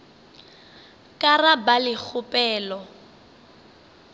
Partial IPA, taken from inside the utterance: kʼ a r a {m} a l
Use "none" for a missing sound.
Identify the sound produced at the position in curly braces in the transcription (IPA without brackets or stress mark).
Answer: b